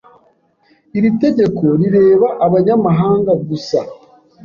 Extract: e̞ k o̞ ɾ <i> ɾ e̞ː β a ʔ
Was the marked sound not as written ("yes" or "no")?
no